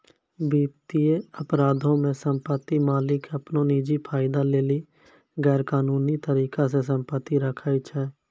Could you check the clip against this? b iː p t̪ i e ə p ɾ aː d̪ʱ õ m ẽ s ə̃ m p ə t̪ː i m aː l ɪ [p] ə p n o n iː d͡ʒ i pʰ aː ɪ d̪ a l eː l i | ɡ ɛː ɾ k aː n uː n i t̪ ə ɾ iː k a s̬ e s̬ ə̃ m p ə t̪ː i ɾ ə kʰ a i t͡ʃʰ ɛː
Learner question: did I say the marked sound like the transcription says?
no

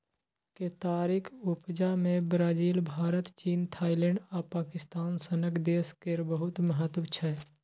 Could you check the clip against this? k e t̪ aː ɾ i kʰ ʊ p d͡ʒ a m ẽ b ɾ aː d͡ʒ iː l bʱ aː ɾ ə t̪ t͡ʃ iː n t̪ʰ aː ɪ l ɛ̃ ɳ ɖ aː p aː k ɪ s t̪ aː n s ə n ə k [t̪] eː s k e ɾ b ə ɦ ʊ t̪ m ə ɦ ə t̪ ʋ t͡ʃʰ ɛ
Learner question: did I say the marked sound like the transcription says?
no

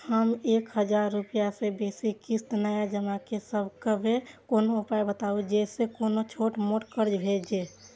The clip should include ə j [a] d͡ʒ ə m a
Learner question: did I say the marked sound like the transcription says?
yes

